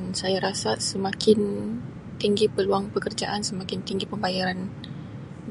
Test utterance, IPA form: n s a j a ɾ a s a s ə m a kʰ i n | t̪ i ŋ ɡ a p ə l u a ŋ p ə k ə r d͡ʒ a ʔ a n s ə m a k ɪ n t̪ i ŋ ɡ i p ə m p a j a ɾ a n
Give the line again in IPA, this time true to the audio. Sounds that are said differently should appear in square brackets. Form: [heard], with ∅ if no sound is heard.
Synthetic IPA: n s a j a ɾ a s a s ə m a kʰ [ɪ] n | t̪ i ŋ ɡ [i] p ə l u a ŋ p ə k ə r d͡ʒ a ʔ a n s ə m a k ɪ n t̪ i ŋ ɡ i p ə m [b] a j a ɾ a n